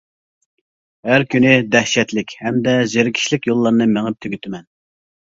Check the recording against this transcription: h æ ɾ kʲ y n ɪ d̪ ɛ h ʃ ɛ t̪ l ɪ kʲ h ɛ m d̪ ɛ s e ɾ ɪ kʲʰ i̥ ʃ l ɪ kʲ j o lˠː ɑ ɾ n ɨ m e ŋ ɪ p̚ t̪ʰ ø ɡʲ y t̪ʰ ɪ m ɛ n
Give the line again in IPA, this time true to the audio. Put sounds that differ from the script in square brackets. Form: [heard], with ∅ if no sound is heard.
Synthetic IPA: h æ ɾ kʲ y n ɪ d̪ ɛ h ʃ ɛ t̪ l ɪ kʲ h ɛ m d̪ ɛ [z] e ɾ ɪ kʲʰ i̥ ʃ l ɪ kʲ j o lˠː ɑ ɾ n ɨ m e ŋ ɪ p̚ t̪ʰ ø ɡʲ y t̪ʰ ɪ m ɛ n